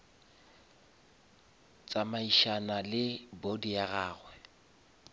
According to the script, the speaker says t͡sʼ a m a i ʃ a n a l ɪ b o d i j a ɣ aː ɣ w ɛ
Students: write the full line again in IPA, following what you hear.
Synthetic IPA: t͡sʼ a m a i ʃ a n a l ɪ b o d i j a ɣ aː ɣ w ɛ